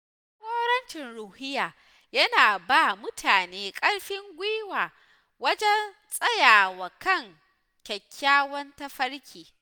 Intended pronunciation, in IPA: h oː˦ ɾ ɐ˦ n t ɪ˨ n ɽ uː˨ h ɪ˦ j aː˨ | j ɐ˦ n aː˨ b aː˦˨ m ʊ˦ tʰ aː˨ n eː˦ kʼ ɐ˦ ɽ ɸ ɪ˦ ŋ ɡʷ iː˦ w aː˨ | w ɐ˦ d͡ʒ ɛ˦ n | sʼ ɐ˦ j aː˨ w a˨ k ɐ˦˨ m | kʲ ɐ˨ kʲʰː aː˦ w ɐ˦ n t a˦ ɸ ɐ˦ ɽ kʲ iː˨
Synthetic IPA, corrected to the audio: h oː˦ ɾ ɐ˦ n t͡ʃ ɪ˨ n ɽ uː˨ h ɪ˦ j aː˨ | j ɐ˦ n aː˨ b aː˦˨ m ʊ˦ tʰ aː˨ n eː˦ kʼ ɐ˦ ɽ ɸ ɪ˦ ŋ ɡʷ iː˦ w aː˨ | w ɐ˦ d͡ʒ ɛ˦ n | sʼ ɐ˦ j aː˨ w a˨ k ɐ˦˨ ŋ | kʲ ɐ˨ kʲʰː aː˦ w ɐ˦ n t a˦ ɸ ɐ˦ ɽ kʲ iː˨